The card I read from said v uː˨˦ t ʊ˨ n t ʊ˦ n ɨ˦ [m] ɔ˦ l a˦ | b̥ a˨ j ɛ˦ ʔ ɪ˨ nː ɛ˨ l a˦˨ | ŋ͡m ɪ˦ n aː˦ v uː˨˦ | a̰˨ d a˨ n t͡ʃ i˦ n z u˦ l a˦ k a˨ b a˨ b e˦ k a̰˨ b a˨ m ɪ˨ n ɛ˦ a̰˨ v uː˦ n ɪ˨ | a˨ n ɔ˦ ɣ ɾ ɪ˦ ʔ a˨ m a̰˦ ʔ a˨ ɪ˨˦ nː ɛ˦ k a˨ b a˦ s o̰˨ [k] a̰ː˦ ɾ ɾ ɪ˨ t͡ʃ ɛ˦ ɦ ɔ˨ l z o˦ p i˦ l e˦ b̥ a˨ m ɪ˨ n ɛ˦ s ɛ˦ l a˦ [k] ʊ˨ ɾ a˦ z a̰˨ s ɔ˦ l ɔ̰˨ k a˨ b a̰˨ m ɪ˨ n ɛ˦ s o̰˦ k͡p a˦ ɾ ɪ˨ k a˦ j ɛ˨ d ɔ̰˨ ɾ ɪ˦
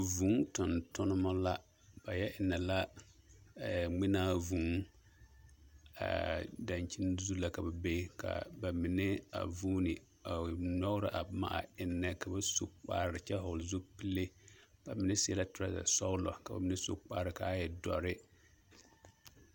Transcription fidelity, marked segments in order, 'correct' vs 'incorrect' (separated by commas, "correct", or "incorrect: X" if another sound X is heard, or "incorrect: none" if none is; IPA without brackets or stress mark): correct, incorrect: k͡p, incorrect: t